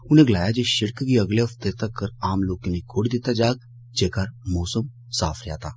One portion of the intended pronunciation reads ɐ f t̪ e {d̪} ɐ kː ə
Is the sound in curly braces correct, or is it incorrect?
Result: incorrect